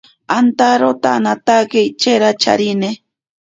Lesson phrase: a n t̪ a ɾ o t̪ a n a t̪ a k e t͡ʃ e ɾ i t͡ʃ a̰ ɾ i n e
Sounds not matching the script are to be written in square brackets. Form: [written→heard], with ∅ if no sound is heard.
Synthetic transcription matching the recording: a n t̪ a ɾ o t̪ a n a t̪ a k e t͡ʃ e ɾ [i→a] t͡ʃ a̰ ɾ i n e